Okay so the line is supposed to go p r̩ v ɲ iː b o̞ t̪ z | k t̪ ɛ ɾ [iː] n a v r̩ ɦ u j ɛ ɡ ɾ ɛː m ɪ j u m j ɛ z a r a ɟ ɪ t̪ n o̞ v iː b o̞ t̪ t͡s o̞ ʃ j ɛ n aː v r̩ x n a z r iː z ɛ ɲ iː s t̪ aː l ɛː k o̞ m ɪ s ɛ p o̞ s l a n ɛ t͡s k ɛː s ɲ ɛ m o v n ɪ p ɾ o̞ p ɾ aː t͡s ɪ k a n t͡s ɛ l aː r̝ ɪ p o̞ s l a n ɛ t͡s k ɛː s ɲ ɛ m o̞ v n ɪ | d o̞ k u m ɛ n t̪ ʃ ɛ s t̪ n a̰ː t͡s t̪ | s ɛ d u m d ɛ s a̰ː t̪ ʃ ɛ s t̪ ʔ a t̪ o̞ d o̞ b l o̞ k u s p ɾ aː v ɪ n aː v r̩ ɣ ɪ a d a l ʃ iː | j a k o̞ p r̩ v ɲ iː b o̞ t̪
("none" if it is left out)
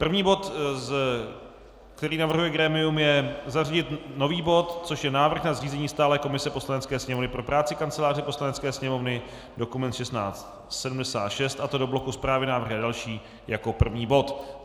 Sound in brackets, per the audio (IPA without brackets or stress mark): iː